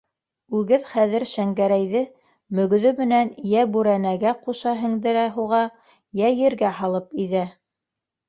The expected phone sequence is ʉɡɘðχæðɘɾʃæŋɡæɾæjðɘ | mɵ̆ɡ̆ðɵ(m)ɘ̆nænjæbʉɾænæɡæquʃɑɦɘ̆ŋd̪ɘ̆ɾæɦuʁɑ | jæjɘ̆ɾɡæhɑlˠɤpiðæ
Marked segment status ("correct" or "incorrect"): correct